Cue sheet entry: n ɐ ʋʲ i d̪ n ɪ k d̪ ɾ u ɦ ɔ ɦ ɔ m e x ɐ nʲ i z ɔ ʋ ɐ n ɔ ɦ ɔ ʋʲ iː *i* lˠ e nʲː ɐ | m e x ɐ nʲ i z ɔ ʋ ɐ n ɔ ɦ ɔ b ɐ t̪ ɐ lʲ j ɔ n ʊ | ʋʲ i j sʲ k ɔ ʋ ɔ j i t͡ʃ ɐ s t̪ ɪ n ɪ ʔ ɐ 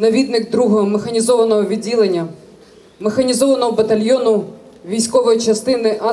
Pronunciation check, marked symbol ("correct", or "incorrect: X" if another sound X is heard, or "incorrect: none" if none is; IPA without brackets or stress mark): correct